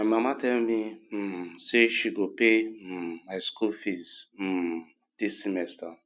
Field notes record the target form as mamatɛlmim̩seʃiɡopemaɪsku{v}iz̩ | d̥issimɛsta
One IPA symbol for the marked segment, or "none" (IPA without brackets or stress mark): f